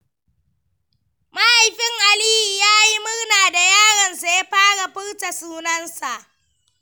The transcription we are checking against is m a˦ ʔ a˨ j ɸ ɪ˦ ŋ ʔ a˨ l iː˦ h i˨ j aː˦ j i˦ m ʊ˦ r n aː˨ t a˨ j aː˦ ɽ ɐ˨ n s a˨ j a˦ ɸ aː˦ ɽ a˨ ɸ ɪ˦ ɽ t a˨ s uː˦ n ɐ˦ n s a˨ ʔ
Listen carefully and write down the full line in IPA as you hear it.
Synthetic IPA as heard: m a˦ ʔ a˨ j ɸ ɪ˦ ŋ ʔ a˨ l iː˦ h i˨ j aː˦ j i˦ m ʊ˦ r n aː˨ d a˨ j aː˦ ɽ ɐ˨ n s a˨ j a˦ ɸ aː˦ ɽ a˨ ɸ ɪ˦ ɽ t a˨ s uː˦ n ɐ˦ n s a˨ ʔ